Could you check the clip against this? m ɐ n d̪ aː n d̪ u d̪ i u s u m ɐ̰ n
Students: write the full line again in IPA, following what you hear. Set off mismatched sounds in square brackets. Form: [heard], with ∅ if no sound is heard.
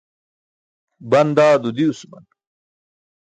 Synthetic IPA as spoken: [b] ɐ n d̪ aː [∅] d̪ u d̪ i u s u m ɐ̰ n

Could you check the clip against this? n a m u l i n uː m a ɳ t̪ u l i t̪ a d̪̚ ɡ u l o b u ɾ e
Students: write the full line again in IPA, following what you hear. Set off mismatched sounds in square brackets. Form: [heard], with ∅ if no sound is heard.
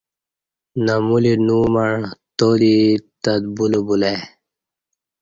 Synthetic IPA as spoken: n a m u l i n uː m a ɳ t̪ [o] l i t̪ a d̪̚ [b] u l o b u [l] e

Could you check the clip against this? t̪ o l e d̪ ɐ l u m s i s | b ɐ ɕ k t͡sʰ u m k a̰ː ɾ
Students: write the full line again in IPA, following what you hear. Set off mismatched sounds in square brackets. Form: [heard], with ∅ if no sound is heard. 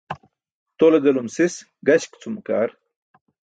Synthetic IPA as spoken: t̪ o l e d̪ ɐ l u m s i s | [ɡ] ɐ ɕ k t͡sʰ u m k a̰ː ɾ

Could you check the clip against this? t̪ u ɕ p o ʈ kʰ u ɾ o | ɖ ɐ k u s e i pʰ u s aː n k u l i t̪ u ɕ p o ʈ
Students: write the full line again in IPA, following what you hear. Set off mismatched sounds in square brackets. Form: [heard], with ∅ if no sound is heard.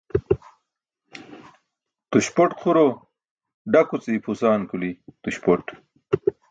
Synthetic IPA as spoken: t̪ u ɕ p o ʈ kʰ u ɾ o | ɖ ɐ k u [t͡s] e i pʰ u s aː n k u l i t̪ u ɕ p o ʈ

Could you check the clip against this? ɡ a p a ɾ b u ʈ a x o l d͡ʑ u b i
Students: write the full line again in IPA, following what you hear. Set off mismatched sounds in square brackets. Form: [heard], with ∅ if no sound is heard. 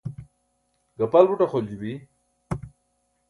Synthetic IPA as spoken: ɡ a p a [l] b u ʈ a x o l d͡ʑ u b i

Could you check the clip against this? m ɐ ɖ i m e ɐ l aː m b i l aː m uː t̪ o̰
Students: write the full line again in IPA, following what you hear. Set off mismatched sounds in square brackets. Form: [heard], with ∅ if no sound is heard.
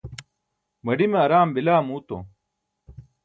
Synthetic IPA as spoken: m ɐ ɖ i m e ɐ [ɾ] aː m b i l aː m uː t̪ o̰

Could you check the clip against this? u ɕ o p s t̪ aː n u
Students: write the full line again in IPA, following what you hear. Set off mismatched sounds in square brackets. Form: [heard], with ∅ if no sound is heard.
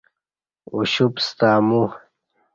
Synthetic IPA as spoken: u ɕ [u] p s t̪ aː [m] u

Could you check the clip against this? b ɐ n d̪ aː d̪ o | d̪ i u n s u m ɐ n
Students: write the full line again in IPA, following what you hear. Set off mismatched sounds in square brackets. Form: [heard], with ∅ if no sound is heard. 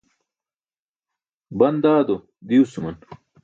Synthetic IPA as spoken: b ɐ n d̪ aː d̪ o | d̪ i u [∅] s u m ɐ n

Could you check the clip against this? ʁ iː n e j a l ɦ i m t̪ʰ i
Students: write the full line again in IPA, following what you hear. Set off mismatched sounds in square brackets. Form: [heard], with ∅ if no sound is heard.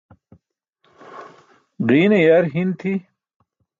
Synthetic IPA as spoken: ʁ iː n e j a [ɾ] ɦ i [n] t̪ʰ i

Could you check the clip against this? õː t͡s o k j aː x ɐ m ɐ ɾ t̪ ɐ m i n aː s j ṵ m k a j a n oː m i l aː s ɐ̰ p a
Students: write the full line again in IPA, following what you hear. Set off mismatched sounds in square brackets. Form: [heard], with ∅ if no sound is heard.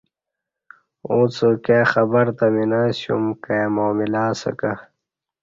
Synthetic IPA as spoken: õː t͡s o k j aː x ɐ [b] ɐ ɾ t̪ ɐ m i n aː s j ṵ m k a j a [m] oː m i l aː s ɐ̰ [k] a

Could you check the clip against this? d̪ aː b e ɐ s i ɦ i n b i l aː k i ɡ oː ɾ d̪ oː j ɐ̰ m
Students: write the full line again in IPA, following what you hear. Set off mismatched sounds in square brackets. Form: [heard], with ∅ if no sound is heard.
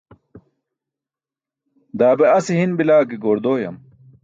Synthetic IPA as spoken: d̪ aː b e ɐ s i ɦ i n b i l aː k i ɡ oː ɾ d̪ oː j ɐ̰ m

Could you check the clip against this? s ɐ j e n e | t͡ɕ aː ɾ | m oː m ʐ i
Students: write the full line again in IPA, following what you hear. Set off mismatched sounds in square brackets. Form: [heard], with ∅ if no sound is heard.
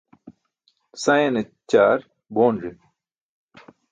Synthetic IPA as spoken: s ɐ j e n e | t͡ɕ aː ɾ | [b] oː [n] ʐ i

